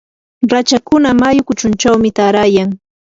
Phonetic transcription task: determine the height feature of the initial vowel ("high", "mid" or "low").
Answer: low